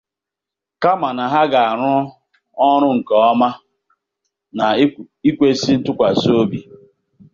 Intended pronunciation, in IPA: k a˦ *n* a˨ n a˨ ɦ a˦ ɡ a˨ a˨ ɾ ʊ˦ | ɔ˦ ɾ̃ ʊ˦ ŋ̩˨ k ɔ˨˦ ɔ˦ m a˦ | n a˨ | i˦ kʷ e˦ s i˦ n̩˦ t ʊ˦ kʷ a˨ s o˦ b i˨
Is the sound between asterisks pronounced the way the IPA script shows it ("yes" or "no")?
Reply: no